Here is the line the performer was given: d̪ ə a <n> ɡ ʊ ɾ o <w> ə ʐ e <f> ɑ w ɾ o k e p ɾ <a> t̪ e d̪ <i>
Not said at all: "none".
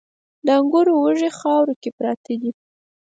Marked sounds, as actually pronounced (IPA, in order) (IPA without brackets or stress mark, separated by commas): ŋ, w, x, ɑ, i